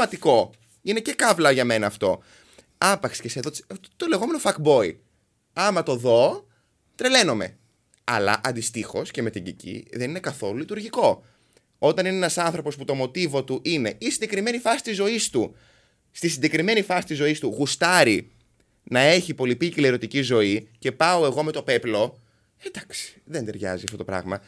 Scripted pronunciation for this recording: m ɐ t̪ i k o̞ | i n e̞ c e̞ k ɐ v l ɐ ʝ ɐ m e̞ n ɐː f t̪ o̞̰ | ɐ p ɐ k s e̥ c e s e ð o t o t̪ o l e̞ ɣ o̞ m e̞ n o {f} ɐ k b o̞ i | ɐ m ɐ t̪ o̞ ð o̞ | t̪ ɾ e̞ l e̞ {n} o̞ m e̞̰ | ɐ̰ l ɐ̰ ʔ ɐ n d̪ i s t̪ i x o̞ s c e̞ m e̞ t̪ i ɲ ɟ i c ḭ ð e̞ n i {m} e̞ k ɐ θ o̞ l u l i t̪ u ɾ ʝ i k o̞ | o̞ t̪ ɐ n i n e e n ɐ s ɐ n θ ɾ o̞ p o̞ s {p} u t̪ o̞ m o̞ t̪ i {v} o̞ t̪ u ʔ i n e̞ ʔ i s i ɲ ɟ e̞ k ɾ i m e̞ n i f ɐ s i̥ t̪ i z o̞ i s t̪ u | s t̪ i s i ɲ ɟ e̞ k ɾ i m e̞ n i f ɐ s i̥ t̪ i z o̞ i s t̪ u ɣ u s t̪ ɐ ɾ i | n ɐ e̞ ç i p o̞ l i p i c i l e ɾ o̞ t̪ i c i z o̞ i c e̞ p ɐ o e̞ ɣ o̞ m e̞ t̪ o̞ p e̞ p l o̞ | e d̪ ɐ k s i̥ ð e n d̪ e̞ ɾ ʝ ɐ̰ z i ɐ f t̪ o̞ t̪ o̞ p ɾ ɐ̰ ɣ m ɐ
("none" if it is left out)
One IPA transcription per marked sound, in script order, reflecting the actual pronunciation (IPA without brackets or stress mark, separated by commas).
f, n, n, p, v